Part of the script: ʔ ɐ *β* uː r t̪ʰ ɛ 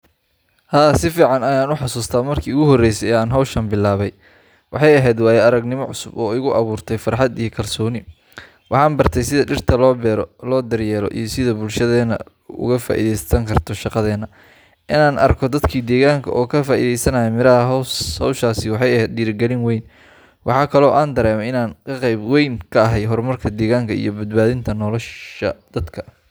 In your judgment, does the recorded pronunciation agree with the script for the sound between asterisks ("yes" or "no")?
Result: yes